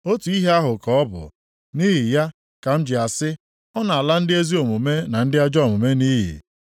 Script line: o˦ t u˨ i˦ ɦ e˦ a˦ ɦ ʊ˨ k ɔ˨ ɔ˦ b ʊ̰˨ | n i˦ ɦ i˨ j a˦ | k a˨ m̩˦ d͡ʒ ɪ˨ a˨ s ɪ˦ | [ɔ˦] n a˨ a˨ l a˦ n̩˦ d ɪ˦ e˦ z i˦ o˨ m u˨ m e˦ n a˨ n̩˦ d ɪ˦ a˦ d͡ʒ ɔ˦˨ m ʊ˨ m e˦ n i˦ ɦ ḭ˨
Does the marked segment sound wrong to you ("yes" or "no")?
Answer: no